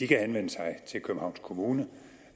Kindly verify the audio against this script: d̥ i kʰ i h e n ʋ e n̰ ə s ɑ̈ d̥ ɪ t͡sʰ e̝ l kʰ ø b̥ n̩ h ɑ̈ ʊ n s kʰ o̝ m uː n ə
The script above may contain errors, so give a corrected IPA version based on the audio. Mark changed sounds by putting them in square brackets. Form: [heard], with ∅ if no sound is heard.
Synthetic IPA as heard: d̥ i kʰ [æ] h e n ʋ e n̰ ə s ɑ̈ [∅] ɪ t͡sʰ e̝ l kʰ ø b̥ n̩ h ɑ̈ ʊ n s kʰ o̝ m uː n ə